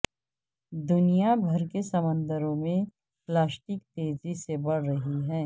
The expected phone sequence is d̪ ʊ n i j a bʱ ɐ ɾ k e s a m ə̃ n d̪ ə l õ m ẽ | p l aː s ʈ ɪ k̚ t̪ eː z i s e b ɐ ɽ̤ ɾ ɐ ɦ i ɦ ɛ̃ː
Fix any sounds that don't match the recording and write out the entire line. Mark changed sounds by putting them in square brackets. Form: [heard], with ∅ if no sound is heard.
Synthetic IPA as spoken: d̪ ʊ n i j a bʱ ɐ ɾ k e s [ɐ] m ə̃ n d̪ ə [ɾ] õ m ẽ | p l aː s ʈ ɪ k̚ t̪ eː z i s e b ɐ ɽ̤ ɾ ɐ ɦ i ɦ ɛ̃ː